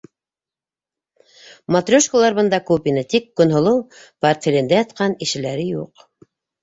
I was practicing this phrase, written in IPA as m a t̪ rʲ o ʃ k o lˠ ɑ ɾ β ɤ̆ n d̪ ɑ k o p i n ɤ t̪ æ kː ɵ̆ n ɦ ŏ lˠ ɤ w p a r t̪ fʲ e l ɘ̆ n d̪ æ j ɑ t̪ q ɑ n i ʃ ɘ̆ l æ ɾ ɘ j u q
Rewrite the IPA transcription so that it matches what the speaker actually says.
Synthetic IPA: m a t̪ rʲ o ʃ k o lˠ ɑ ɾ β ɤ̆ n d̪ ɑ k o p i n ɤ t̪ i kː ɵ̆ n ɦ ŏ lˠ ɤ w p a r t̪ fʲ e l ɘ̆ n d̪ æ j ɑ t̪ q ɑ n i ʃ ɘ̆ l æ ɾ ɘ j u q